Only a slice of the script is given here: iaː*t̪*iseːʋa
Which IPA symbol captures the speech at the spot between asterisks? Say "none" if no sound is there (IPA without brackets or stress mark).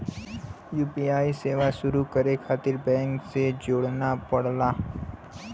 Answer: none